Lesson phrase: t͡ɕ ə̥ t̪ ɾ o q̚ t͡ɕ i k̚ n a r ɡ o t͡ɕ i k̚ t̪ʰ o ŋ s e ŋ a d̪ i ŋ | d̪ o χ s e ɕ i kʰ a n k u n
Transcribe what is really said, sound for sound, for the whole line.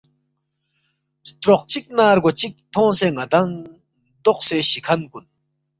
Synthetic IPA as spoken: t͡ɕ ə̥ t̪ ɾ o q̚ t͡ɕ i k̚ n a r ɡ o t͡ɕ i k̚ t̪ʰ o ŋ s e ŋ a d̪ a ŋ | d̪ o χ s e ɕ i kʰ a n k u n